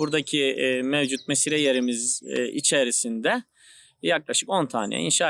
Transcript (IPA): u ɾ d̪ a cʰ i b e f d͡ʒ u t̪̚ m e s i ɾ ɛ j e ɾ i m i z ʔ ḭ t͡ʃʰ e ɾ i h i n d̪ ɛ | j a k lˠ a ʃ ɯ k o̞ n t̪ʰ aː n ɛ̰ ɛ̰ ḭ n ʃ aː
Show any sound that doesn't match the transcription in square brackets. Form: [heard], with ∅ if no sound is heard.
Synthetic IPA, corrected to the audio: u ɾ d̪ a cʰ i [m] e [v] d͡ʒ u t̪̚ m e s i ɾ ɛ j e ɾ i m i z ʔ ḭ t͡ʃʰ e ɾ i [s] i n d̪ ɛ | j a k lˠ a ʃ ɯ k o̞ n t̪ʰ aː n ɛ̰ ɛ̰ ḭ n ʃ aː